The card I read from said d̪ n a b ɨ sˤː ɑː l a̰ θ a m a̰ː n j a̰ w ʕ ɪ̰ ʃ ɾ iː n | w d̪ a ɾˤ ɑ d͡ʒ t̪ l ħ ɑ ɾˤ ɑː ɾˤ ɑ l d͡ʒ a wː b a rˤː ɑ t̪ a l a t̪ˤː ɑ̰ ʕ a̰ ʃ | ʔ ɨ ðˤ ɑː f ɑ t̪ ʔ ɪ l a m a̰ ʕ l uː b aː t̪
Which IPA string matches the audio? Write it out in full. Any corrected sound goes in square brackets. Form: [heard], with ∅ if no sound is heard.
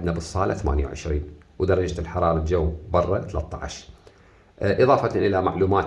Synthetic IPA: d̪ n a b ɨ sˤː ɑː l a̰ θ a m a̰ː n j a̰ w ʕ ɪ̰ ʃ ɾ iː n | w d̪ [ɑ] ɾˤ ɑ d͡ʒ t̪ l ħ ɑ ɾˤ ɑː ɾˤ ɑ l d͡ʒ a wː b [ɑ] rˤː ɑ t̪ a l a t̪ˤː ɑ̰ ʕ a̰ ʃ | ʔ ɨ ðˤ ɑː f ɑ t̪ ʔ ɪ l a m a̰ ʕ l uː [m] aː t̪

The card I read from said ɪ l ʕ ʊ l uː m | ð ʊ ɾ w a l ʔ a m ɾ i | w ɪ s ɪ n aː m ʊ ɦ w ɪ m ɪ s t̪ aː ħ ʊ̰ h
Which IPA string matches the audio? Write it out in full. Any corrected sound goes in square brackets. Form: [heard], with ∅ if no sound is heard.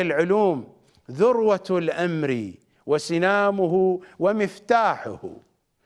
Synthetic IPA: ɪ l ʕ ʊ l uː m | ð ʊ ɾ w a l ʔ a m ɾ i | w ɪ s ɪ n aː m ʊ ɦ w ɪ m ɪ [f] t̪ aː ħ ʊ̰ h

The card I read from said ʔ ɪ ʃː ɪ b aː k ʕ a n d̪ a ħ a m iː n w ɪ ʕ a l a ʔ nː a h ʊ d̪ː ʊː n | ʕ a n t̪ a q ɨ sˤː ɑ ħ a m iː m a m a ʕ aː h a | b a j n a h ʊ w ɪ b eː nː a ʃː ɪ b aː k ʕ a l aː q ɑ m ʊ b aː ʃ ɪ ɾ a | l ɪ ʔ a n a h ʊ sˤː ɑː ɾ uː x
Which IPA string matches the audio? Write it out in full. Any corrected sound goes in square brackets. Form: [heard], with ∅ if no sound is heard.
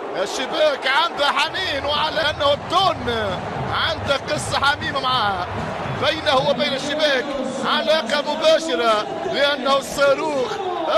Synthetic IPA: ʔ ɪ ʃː ɪ b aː k ʕ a n d̪ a ħ a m iː n w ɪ ʕ a l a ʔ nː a h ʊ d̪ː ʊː n | ʕ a n [d̪] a q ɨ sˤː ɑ ħ a m iː m a m a ʕ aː h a | b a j n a h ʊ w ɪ b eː [n] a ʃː ɪ b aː k ʕ a l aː q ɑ m ʊ b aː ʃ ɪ ɾ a | l ɪ ʔ a [nː] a h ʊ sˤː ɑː ɾ uː x

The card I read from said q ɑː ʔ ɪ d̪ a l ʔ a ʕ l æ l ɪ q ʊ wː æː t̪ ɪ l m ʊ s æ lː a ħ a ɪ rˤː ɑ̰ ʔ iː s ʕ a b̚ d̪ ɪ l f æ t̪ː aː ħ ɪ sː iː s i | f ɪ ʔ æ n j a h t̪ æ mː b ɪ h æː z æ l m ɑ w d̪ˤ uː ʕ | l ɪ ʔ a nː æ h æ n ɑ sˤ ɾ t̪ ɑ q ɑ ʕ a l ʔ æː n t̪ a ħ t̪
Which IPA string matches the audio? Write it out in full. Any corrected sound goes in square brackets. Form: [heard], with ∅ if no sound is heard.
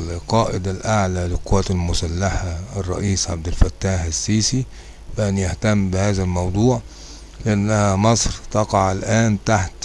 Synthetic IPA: q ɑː ʔ ɪ d̪ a l ʔ a ʕ l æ l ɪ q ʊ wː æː t̪ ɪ l m ʊ s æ lː a ħ a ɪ rˤː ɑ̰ ʔ iː s ʕ a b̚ d̪ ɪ l f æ t̪ː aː ħ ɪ sː iː s i | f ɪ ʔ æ n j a h t̪ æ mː b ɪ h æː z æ l m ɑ w d̪ˤ uː ʕ | l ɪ ʔ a nː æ h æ [m] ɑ sˤ ɾ t̪ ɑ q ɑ ʕ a l ʔ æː n t̪ a ħ t̪

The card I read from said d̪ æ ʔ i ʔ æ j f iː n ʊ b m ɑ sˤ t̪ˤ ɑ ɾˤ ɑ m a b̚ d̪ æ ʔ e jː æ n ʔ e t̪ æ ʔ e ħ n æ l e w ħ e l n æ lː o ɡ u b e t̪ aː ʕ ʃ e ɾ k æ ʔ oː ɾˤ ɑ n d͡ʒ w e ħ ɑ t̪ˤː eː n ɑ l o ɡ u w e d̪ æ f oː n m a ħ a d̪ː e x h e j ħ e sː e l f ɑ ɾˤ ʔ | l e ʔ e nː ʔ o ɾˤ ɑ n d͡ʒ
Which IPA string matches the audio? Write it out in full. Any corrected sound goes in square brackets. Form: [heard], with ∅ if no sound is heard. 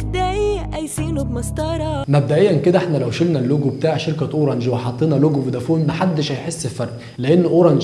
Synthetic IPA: d̪ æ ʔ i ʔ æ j [s] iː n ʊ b m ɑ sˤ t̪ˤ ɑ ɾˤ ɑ m [æ] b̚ d̪ æ ʔ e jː æ n [k] e [d̪] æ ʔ e ħ n æ l [æ] w [ʃ] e l n æ lː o ɡ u b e t̪ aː ʕ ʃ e ɾ k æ ʔ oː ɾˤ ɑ n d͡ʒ w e ħ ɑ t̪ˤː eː n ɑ l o ɡ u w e d̪ æ f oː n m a ħ a d̪ː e [ʃ] h [æ] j ħ e sː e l f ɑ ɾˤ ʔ | l e ʔ e nː ʔ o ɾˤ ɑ n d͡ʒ

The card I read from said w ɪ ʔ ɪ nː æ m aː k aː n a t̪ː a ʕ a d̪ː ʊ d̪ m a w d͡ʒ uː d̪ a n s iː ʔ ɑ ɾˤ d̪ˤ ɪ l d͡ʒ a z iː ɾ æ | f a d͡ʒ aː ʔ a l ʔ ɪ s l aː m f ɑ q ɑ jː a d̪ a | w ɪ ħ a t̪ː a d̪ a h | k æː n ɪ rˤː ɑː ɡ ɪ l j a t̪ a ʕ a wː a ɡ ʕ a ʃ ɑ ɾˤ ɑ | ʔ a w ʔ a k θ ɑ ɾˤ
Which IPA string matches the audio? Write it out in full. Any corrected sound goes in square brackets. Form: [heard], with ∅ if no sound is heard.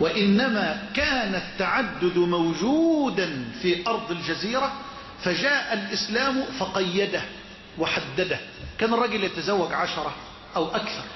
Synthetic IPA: w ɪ ʔ ɪ nː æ m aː k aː n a t̪ː a ʕ a d̪ː ʊ d̪ m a w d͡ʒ uː d̪ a n [f] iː ʔ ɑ ɾˤ d̪ˤ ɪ l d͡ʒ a z iː ɾ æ | f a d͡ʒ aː ʔ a l ʔ ɪ s l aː m f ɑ q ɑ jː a d̪ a | w ɪ ħ a [d̪ː] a d̪ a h | k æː n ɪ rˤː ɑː ɡ ɪ l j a t̪ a [z] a wː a ɡ ʕ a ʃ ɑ ɾˤ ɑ | ʔ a w ʔ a k θ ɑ ɾˤ

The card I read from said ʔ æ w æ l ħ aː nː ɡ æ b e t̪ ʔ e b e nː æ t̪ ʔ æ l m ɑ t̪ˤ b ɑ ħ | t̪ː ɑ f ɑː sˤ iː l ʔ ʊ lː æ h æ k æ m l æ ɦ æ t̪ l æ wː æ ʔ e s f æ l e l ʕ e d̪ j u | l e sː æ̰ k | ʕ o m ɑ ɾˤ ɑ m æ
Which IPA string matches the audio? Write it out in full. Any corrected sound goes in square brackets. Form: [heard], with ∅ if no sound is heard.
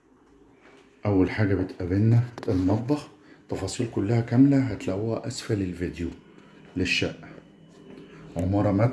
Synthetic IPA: ʔ æ [wː] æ l ħ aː [∅] ɡ æ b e t̪ ʔ [æ] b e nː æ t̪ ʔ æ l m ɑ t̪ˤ b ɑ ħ | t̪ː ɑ f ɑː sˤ iː l [k] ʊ lː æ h æ k æ m l æ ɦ æ t̪ l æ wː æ ʔ [æ] s f æ l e l [v] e d̪ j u | l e [ʃː] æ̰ [ʔ] | ʕ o m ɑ ɾˤ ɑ m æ

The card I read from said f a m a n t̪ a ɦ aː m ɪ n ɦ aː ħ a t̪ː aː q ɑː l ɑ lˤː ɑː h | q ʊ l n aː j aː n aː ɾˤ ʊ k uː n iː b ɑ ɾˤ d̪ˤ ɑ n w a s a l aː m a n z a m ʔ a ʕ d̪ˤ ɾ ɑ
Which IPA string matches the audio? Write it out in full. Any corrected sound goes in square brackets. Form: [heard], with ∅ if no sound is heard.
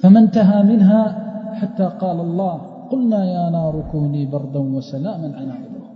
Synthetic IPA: f a m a n t̪ a ɦ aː m ɪ n ɦ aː ħ a t̪ː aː q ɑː l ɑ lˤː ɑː h | q ʊ l n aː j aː n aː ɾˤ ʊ k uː n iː b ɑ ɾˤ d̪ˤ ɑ n w a s a l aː m a n [ʕ] a [n] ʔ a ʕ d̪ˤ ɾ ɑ

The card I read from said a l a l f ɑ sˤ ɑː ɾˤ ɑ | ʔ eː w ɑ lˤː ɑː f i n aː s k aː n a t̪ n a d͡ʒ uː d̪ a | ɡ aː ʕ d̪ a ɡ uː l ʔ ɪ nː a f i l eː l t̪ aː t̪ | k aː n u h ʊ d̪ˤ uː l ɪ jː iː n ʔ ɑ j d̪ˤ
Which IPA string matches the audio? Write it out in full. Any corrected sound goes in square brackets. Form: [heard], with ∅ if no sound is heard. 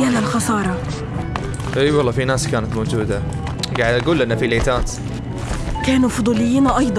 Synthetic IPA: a l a l [x] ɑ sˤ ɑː ɾˤ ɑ | ʔ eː w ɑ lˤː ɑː f i n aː s k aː n a t̪ [m] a d͡ʒ uː d̪ a | ɡ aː ʕ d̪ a ɡ uː l ʔ ɪ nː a f i l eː [∅] t̪ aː t̪ | k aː n u [f] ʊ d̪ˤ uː l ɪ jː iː n ʔ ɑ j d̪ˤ

